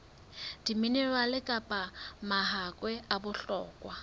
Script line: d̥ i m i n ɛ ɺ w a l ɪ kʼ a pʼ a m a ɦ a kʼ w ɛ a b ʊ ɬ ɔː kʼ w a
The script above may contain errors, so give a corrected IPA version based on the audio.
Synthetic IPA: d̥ i m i n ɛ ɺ w a l ɪ kʼ a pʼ a m a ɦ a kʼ w ɛ a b ʊ ɬ ɔː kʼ w a